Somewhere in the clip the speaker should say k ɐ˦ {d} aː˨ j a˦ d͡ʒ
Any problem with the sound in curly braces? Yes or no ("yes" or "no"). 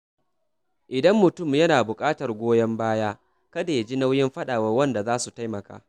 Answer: no